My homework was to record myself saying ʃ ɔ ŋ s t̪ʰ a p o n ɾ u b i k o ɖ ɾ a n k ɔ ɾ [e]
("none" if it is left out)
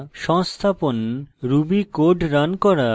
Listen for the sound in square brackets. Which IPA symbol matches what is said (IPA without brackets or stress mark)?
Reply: a